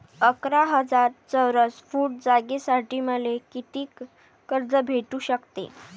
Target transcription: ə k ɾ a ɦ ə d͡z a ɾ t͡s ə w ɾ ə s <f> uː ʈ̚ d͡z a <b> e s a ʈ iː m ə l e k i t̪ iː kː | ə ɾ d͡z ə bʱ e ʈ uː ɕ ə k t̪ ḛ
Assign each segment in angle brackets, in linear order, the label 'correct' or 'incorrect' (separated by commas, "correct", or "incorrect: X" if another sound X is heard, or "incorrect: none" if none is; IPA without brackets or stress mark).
correct, incorrect: ɡ